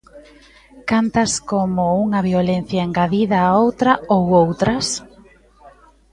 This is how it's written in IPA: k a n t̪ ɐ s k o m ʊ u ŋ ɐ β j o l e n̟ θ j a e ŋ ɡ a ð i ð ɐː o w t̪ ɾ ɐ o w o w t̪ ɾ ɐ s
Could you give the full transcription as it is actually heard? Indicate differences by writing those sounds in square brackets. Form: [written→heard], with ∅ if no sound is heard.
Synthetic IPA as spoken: k a n t̪ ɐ s k o m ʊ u ŋ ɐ β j o l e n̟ θ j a e ŋ ɡ a ð i ð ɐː o w t̪ ɾ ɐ o w o w t̪ ɾ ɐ s